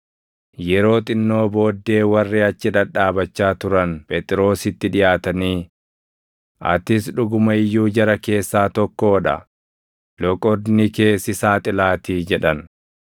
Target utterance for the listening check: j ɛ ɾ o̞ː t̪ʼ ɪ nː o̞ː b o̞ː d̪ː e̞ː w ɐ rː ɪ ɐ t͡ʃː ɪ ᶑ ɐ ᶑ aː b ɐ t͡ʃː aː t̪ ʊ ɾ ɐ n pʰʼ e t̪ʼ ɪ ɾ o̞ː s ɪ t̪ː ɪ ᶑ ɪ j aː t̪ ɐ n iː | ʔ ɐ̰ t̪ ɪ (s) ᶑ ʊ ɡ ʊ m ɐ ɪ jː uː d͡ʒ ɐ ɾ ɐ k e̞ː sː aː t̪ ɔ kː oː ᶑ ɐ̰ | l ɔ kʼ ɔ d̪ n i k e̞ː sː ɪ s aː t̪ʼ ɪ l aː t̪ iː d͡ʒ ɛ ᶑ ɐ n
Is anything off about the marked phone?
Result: no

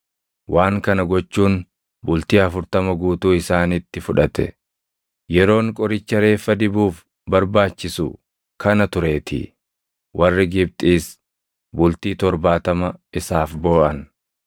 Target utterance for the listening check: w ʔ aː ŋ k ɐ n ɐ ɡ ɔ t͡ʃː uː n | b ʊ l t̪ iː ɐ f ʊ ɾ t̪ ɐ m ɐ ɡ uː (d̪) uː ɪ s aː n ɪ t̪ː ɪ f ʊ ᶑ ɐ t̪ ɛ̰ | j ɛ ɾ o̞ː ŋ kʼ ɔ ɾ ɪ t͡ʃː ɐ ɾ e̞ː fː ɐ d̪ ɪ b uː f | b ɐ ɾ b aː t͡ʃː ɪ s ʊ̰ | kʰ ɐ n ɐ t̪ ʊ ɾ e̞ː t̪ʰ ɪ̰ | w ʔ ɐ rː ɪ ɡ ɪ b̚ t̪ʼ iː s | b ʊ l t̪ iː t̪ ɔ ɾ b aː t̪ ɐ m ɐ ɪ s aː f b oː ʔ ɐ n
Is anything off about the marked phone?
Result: yes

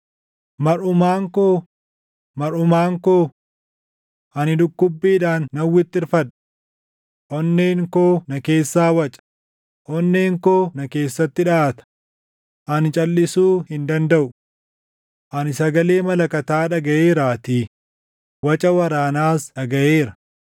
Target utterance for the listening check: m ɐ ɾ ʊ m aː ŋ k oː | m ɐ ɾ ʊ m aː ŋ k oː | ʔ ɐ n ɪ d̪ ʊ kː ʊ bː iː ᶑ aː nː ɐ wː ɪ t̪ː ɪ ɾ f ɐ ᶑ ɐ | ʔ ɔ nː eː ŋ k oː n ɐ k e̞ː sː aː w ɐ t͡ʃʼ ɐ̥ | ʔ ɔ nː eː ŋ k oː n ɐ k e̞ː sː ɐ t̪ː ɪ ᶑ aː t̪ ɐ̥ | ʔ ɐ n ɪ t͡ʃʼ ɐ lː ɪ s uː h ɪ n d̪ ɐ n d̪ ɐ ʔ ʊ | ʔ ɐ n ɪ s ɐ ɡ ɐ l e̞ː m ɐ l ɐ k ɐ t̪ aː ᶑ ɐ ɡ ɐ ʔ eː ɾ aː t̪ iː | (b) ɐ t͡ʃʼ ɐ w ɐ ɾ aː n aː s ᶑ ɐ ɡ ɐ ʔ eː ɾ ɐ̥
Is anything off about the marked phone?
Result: yes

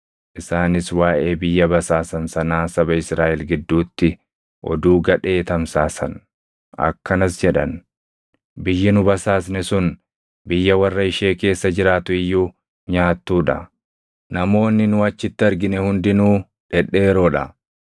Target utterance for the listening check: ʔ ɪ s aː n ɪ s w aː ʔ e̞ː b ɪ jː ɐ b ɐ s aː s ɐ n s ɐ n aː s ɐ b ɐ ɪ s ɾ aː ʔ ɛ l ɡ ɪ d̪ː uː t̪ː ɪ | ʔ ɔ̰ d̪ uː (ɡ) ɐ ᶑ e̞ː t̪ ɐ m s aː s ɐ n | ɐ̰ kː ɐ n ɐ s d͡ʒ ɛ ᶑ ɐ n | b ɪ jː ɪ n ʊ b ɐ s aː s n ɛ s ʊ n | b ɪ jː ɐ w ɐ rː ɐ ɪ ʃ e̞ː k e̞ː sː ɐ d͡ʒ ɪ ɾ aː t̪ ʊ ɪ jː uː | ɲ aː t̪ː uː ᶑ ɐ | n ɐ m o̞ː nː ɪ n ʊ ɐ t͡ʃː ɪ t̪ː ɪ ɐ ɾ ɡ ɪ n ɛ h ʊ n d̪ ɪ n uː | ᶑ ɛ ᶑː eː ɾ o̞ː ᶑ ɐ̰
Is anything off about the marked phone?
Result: no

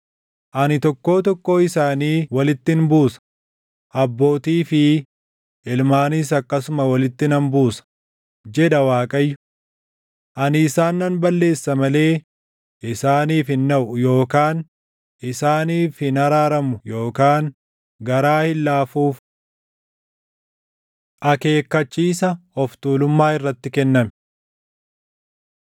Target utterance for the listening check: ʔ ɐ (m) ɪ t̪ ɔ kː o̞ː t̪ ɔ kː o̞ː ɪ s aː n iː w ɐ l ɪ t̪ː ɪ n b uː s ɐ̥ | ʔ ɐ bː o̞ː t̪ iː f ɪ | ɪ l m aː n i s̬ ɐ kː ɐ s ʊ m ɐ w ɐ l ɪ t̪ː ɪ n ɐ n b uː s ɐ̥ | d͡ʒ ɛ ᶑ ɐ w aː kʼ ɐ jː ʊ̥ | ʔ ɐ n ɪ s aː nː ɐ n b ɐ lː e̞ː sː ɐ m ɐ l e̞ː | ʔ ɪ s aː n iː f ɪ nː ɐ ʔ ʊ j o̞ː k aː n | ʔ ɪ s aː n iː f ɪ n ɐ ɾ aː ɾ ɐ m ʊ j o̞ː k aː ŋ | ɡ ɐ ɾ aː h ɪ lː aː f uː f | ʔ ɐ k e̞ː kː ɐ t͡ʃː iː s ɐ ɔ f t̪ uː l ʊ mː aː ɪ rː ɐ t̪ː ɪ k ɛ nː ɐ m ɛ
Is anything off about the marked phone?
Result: yes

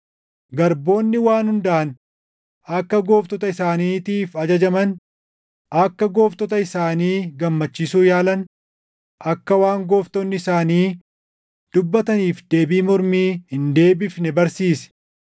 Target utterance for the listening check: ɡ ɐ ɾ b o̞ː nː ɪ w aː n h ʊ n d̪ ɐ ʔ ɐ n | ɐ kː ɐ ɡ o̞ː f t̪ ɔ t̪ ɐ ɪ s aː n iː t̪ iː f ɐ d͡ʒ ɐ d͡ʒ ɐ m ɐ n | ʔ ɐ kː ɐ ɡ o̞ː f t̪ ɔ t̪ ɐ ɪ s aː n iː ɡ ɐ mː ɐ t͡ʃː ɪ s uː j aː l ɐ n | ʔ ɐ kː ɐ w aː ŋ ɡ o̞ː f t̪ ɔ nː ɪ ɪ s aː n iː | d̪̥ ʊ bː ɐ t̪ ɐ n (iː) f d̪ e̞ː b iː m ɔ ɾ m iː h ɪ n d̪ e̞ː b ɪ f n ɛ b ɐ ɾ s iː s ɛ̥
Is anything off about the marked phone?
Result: no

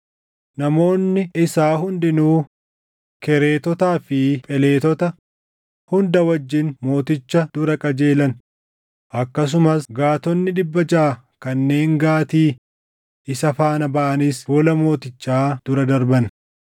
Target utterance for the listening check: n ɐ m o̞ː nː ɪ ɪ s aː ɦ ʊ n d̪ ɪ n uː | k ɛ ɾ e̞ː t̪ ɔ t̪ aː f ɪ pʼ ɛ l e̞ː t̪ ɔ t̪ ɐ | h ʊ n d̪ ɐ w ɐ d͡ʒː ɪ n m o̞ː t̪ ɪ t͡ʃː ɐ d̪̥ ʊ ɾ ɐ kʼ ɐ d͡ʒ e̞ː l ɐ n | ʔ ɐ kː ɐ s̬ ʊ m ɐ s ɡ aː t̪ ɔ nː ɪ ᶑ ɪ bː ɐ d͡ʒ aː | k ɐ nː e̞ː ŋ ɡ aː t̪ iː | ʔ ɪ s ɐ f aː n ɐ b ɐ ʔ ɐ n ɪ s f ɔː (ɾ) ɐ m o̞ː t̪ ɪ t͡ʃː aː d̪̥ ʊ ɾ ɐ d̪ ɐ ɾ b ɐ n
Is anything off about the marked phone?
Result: yes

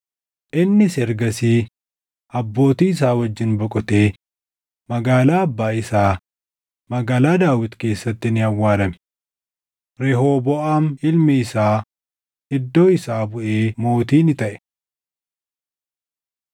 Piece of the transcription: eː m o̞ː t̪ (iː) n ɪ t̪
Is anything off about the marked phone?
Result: no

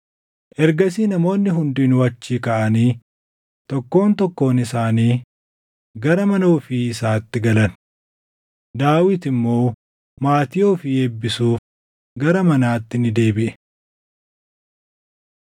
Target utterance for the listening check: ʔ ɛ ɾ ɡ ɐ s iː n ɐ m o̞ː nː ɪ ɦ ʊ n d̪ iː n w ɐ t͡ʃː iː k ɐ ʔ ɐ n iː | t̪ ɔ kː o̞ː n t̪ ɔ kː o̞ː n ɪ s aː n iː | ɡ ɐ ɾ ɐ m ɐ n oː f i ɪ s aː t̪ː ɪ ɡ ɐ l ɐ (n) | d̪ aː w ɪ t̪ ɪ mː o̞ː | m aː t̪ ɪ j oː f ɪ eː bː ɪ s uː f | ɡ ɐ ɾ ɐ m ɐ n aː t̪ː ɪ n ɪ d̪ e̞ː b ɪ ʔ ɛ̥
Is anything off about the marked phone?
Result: no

